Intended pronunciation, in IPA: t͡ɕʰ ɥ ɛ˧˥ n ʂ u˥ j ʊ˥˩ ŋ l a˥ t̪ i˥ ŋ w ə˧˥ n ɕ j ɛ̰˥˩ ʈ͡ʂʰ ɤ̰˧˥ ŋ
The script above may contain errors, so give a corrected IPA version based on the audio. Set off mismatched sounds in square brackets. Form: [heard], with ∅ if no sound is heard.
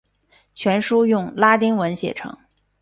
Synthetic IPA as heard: t͡ɕʰ ɥ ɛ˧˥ n ʂ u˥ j ʊ˥˩ ŋ l a˥ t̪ i˥ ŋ w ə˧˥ n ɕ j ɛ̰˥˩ ʈ͡ʂʰ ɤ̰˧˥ ŋ